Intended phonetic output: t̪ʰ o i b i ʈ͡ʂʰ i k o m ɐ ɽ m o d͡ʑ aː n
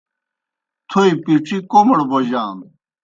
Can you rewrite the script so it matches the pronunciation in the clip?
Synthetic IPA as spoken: t̪ʰ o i p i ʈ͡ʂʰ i k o m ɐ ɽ b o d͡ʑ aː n